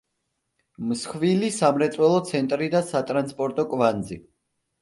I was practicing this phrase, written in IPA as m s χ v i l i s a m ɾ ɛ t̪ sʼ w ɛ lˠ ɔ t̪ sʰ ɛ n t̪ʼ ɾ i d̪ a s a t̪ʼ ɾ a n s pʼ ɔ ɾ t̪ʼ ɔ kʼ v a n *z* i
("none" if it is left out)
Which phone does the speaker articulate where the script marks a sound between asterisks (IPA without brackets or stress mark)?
z